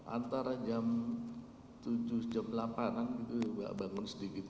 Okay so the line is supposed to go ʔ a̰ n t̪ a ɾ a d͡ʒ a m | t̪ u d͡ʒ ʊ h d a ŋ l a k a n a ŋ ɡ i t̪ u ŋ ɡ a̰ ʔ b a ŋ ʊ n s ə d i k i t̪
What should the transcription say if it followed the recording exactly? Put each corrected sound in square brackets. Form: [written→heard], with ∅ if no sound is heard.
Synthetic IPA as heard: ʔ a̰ n t̪ a ɾ a d͡ʒ a m | t̪ u d͡ʒ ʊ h [d→d͡ʒ] a [ŋ→m] l a [k→p] a n a [ŋ→n] ɡ i t̪ u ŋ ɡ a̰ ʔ b a ŋ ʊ n s ə d i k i t̪